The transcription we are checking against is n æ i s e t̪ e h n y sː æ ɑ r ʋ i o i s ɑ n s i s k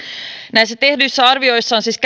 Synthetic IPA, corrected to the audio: n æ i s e t̪ e h d y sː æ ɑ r ʋ i o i sː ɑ n s i s k